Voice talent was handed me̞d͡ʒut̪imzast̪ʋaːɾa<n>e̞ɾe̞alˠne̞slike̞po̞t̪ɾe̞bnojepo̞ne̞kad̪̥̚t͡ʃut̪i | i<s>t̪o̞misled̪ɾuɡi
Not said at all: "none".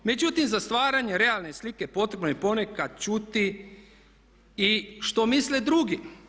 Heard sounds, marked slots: ɲ, ʃ

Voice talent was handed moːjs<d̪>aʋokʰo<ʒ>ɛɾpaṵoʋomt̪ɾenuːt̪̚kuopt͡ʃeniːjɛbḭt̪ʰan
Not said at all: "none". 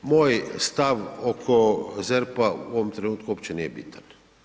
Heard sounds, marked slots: t̪, z

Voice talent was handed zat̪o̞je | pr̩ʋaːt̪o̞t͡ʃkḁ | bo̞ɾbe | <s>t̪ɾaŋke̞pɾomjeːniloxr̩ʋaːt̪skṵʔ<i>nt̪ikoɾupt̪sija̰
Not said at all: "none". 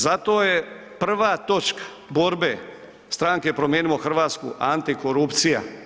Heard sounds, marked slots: s, a

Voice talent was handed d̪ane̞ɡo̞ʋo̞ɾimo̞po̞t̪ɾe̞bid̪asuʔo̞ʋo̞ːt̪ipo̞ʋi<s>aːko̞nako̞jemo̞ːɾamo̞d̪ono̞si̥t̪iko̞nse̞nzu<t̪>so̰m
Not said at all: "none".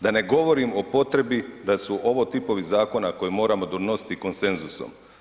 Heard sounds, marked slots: z, none

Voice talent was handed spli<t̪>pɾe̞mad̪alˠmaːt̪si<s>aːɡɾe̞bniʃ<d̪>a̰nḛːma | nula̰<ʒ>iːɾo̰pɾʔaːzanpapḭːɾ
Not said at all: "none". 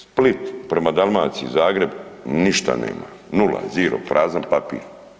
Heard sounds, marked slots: t̪, z, t̪, z

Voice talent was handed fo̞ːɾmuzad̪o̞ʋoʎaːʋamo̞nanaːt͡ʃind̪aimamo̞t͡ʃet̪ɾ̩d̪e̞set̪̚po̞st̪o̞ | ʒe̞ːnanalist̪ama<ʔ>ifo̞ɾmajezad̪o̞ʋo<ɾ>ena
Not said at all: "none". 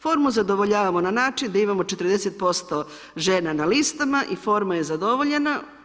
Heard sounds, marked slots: ʔ, ʎ

